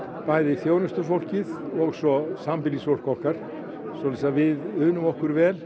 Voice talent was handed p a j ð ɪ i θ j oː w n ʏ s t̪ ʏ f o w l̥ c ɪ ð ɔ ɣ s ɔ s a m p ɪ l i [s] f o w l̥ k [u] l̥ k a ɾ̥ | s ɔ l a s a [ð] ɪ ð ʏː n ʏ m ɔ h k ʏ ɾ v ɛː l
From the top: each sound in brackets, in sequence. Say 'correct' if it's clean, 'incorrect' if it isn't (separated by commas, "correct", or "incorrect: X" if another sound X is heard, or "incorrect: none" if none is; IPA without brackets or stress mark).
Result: correct, incorrect: ɔ, incorrect: v